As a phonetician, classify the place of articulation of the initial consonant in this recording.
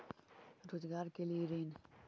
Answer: alveolar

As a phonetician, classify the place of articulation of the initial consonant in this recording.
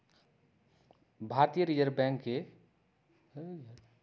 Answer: labial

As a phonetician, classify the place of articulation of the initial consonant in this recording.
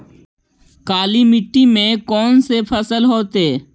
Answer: velar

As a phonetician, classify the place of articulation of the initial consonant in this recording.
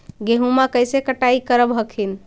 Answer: velar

